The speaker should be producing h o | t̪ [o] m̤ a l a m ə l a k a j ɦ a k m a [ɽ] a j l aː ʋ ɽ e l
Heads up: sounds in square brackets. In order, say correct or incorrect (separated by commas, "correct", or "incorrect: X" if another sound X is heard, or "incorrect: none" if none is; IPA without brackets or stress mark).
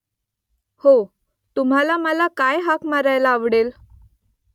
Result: incorrect: u, incorrect: ɾ